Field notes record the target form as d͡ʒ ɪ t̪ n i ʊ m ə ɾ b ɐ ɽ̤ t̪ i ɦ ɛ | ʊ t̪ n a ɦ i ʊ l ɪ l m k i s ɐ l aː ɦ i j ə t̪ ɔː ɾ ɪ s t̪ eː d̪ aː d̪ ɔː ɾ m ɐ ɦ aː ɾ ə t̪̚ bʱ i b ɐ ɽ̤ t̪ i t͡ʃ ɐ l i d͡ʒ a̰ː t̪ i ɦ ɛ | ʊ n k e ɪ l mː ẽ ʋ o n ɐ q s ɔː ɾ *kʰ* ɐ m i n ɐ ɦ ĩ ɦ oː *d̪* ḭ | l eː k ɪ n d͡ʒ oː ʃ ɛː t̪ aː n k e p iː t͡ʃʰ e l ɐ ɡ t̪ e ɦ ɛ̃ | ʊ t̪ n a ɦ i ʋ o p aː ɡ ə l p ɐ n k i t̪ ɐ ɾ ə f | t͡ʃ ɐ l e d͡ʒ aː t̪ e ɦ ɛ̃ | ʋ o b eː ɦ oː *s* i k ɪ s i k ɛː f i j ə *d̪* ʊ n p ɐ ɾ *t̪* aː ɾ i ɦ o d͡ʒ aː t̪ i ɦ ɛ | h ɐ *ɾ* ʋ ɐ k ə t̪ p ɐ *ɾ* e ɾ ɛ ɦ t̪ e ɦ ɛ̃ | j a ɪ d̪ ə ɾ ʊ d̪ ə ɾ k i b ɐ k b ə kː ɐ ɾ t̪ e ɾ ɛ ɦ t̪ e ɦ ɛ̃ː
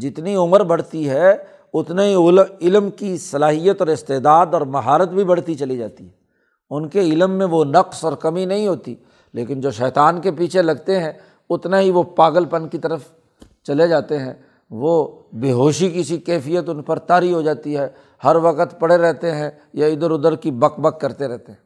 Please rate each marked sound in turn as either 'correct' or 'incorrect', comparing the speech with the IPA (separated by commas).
incorrect, incorrect, incorrect, incorrect, correct, correct, incorrect